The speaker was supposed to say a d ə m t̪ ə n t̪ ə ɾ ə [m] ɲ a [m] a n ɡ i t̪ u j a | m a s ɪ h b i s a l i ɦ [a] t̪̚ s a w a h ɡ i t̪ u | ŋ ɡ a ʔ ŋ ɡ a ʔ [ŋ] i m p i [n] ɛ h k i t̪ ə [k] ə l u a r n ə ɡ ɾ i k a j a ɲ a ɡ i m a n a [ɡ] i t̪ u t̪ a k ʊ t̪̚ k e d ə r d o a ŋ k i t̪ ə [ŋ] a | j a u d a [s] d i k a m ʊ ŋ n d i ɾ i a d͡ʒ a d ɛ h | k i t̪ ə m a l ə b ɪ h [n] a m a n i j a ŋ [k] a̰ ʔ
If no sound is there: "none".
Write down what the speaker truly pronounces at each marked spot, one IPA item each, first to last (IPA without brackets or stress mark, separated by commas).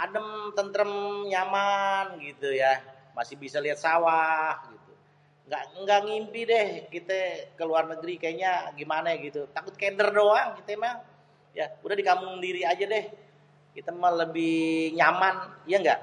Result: m, m, a, ŋ, d, k, ɡ, m, h, ɲ, ɡ